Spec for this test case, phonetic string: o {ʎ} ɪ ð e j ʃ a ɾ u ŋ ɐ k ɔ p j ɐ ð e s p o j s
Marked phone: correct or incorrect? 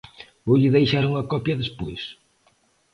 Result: correct